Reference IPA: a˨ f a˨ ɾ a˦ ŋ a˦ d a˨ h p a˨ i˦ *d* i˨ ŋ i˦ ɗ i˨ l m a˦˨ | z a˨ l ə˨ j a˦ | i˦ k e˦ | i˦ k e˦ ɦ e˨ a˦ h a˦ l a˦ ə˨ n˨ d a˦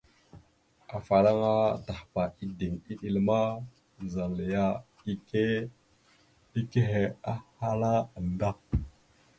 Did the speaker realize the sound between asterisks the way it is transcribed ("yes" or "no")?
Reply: yes